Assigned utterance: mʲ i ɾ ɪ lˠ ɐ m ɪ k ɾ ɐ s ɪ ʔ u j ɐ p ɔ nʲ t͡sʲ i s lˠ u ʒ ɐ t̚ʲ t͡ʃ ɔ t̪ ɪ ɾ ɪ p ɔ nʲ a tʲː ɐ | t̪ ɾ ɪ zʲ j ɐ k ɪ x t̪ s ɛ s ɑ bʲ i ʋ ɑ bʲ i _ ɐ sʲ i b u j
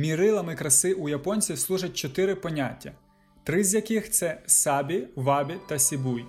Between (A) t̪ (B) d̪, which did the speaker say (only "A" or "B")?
A